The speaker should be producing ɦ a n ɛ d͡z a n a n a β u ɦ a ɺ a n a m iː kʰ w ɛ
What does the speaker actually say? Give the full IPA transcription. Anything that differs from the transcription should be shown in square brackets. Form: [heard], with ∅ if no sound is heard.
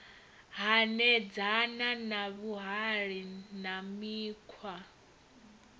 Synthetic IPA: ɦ a n ɛ d͡z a n a n a β u ɦ a ɺ [i] n a m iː kʰ w [a]